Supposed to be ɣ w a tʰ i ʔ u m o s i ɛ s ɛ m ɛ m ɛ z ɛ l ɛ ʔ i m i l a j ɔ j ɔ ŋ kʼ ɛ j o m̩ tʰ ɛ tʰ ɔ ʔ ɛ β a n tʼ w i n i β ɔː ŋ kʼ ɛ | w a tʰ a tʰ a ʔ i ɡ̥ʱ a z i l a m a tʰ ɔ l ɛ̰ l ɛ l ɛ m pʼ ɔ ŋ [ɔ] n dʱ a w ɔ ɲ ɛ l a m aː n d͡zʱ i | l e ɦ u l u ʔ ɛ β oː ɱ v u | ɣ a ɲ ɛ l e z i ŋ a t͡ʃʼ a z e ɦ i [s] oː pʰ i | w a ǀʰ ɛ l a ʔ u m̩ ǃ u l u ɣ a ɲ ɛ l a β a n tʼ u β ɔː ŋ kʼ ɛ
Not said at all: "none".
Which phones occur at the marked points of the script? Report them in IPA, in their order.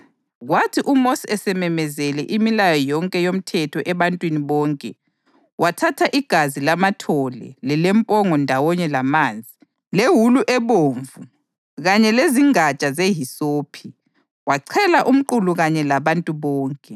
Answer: ɔ, s

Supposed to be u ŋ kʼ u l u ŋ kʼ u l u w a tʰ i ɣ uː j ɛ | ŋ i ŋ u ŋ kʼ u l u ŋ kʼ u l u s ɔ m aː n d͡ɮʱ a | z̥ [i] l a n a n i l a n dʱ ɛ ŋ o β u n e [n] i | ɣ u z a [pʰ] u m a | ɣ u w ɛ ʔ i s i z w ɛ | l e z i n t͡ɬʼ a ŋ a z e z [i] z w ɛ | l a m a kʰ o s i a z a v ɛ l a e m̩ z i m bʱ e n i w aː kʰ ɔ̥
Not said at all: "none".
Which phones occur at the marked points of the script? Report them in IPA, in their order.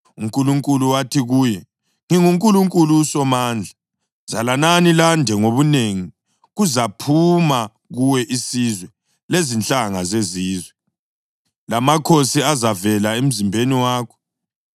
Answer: a, ŋ, pʰ, iː

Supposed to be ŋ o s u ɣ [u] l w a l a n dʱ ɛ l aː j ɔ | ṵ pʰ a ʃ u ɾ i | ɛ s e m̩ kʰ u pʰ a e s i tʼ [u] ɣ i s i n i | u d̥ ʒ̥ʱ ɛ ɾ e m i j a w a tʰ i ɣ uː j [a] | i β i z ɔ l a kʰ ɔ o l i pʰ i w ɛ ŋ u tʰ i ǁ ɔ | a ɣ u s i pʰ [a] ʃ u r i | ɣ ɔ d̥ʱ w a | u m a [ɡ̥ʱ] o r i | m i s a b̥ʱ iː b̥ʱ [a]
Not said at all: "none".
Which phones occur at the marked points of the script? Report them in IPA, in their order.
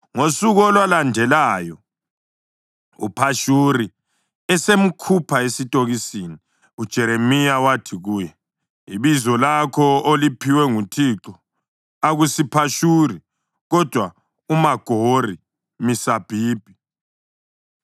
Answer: ɔ, o, ɛ, a, ɡ̥ʱ, i

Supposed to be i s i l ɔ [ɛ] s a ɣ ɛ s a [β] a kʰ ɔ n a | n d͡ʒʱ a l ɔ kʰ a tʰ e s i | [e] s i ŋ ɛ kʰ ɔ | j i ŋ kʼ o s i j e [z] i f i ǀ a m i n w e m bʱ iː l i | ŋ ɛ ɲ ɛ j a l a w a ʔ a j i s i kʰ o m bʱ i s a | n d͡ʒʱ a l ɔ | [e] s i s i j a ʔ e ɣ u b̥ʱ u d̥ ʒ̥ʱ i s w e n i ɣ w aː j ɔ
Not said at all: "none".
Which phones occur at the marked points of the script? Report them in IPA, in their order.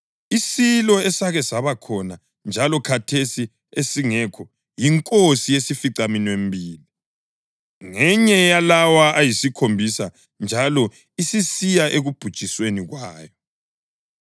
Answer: ɛ, β, e, s, i

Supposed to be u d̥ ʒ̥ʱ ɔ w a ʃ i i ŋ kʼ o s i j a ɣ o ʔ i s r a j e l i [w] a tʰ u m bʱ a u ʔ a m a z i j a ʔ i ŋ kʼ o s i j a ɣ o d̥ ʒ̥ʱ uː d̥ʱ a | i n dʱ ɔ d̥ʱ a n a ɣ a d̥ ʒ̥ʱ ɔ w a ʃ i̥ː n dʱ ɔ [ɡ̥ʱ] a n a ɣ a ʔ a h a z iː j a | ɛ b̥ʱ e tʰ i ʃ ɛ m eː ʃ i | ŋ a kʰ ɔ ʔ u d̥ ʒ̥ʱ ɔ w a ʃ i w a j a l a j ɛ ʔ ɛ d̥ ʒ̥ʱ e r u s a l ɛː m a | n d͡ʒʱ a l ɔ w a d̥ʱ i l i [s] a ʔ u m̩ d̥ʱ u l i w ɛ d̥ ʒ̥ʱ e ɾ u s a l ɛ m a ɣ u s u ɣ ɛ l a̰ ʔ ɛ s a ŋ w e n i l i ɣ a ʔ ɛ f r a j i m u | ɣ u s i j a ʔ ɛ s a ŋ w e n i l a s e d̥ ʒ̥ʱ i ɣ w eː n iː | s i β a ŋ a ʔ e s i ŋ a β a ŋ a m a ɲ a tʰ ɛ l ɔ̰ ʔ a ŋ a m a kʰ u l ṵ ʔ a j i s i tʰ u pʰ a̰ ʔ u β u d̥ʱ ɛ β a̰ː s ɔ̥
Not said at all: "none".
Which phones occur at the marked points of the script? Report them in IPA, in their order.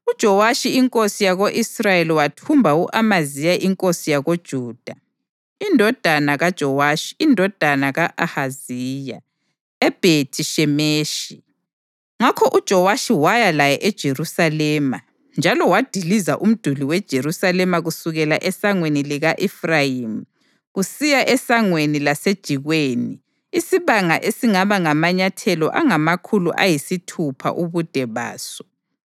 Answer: w, d̥ʱ, z

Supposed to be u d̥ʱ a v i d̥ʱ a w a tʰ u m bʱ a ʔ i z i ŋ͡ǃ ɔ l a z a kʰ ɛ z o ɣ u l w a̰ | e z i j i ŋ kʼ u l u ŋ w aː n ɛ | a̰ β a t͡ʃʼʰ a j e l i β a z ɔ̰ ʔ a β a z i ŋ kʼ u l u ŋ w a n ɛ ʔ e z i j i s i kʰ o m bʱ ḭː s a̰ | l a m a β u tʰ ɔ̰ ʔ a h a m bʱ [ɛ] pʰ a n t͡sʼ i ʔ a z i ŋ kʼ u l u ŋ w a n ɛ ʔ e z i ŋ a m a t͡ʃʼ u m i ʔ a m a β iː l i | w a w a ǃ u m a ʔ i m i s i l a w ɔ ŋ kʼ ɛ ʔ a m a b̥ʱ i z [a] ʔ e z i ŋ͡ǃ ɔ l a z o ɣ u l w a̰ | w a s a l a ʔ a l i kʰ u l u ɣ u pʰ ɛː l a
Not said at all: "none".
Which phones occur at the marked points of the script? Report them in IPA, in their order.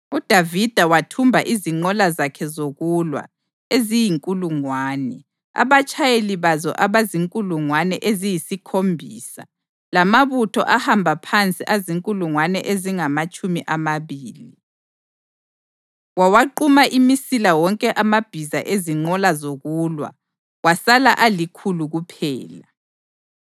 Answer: a, a

